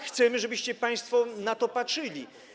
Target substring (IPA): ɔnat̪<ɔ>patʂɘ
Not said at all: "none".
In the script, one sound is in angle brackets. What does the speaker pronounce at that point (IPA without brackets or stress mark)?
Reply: ɔ